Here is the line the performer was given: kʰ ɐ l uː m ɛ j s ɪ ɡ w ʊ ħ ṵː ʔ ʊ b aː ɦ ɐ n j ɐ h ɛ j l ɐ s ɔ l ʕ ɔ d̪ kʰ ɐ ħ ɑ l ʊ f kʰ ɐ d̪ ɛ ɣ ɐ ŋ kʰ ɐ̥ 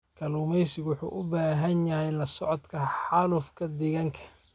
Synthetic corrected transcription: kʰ ɐ l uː m ɛ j s ɪ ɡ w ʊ ħ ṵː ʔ ʊ b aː ɦ ɐ n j ɐ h ɛ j l ɐ s ɔ ʕ ɔ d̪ kʰ ɐ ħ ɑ l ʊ f kʰ ɐ d̪ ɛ ɣ ɐ ŋ kʰ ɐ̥